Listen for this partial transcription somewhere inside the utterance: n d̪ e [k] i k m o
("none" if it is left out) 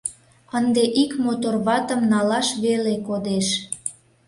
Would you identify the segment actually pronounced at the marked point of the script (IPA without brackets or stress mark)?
ʔ